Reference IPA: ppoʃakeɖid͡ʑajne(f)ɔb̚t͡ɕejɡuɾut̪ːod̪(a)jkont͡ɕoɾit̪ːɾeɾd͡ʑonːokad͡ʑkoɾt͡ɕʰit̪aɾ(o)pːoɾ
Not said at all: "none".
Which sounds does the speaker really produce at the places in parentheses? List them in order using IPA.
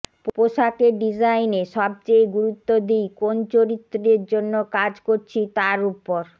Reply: ʃ, i, u

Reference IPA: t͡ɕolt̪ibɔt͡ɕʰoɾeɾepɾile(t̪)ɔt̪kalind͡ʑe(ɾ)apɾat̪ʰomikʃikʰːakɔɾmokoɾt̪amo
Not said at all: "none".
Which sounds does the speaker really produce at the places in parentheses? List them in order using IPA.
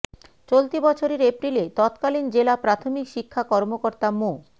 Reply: t̪, l

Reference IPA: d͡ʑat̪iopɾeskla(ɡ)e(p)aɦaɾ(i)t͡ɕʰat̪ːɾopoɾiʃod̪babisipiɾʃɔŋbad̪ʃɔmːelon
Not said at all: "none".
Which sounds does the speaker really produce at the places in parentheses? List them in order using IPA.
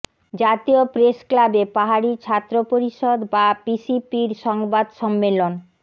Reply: b, p, i

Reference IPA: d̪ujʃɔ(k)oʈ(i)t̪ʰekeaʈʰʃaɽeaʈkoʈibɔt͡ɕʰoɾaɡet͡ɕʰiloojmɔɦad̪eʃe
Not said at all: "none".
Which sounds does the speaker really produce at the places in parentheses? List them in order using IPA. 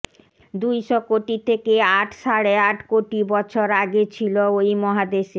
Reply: k, i

